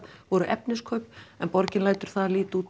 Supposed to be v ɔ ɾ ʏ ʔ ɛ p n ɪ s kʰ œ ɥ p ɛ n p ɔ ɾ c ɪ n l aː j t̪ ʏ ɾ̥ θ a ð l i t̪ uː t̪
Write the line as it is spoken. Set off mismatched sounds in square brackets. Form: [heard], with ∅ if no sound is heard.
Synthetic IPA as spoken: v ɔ ɾ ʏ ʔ ɛ p n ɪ s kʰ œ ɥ p ɛ n p ɔ ɾ c ɪ n l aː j t̪ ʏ ɾ̥ θ a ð l [iː] t̪ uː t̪